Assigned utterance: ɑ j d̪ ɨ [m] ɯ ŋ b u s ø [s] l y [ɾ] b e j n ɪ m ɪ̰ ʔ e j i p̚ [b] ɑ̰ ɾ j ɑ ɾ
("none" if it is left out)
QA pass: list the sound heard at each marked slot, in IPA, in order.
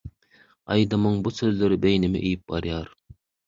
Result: m, z, ɾ, b

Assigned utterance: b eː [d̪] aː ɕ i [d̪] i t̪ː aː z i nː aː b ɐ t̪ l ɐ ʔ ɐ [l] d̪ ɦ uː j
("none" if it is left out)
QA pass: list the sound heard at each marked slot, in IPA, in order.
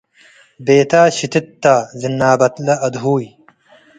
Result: t̪, t̪, none

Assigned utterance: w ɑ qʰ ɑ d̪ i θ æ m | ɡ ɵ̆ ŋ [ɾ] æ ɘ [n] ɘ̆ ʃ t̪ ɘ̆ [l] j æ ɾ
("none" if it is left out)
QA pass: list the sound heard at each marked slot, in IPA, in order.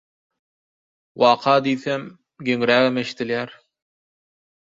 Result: ɾ, m, l

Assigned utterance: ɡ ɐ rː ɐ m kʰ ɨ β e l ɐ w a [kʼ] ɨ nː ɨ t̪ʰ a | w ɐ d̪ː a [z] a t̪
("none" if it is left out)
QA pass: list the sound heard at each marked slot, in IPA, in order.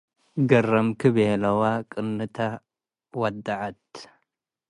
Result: kʼ, ʕ

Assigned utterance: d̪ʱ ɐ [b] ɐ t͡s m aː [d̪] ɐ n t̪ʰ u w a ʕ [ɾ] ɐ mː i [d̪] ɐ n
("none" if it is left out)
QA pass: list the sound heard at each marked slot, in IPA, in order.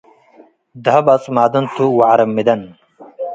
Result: b, d̪, ɾ, d̪

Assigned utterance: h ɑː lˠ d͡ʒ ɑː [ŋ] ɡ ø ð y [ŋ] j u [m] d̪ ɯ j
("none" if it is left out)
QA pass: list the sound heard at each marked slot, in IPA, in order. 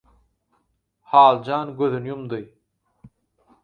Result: n, n, m

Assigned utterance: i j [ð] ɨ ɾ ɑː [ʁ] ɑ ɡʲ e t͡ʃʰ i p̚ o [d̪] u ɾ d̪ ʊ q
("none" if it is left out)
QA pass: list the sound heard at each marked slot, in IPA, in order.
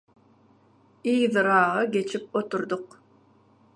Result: ð, ʁ, t̪

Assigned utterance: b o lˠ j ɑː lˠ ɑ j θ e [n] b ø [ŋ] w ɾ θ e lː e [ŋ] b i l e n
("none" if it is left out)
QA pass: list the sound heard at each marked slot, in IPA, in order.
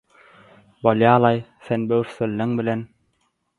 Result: n, none, ŋ

